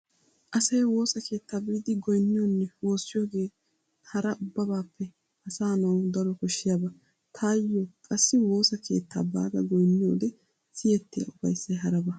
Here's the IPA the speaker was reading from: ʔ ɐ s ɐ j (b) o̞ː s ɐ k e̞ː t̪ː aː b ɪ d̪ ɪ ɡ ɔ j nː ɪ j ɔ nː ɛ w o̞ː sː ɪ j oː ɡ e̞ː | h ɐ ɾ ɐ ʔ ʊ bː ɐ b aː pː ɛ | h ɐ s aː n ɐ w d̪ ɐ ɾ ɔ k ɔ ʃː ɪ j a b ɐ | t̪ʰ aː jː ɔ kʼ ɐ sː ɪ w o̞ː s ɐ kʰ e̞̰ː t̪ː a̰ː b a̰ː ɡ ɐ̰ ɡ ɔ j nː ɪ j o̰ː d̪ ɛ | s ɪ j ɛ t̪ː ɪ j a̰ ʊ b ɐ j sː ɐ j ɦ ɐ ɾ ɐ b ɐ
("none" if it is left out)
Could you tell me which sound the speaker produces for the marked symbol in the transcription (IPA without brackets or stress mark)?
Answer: w